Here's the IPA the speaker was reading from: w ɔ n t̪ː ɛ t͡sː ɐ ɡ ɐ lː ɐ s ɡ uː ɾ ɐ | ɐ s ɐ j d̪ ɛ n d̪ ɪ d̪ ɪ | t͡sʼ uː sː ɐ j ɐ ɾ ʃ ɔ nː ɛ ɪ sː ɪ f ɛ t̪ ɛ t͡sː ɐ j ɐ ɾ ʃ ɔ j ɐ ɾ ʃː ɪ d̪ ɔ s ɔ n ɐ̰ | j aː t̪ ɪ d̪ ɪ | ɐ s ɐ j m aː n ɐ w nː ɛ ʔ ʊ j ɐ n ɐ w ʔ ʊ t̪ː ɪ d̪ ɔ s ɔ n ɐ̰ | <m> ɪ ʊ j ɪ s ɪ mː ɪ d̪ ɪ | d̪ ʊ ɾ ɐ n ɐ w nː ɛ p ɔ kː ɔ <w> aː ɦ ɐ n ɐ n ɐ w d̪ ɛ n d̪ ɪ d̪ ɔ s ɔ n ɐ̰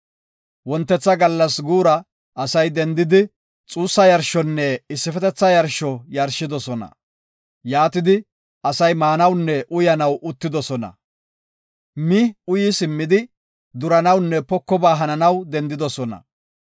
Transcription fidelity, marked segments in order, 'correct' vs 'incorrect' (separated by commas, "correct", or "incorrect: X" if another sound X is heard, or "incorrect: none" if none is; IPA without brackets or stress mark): correct, incorrect: b